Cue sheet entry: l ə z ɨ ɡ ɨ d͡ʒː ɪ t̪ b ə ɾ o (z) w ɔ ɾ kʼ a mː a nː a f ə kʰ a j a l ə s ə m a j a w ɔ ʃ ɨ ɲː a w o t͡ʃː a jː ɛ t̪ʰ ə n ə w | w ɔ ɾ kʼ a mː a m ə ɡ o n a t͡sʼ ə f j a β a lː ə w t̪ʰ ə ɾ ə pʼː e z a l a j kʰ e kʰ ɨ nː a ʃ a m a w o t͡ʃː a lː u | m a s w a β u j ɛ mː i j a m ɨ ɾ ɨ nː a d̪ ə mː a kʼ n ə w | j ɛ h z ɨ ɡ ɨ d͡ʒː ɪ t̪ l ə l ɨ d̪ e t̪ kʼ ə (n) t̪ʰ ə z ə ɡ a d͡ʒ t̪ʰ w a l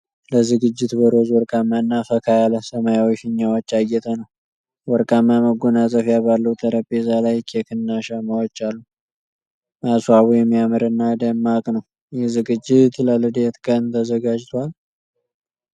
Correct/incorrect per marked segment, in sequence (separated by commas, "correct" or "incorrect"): correct, correct